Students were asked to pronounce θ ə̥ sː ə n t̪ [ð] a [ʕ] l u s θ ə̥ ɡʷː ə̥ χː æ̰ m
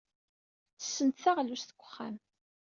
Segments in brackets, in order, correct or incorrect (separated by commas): incorrect, incorrect